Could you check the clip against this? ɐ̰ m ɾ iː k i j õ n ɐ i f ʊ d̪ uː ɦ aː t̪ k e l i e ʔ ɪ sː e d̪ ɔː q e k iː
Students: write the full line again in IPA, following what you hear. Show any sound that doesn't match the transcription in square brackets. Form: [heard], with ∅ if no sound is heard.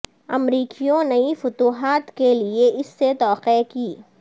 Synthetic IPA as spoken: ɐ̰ m ɾ iː k i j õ n ɐ i f ʊ [t̪] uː ɦ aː t̪ k e l i e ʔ ɪ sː e [t̪] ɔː q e k iː